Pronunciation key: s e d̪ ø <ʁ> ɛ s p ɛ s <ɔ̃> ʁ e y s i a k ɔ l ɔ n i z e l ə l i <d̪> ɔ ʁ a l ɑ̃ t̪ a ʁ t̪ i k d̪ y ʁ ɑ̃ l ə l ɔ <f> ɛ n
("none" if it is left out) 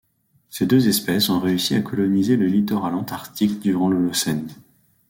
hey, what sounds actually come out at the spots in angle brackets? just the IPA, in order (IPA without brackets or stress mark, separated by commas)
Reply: z, ɔ̃, t̪, s